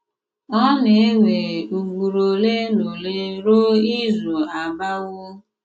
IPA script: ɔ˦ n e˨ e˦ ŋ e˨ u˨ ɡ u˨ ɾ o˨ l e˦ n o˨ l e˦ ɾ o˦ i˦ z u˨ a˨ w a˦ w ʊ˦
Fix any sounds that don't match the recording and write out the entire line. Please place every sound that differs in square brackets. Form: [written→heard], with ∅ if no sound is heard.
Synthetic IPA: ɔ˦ n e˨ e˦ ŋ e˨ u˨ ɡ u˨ ɾ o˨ l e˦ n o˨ l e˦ ɾ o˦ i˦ z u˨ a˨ [w→b] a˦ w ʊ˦